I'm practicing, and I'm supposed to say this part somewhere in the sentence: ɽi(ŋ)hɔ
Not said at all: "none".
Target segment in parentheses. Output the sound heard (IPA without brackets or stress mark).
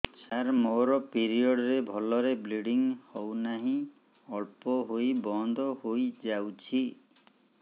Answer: ŋ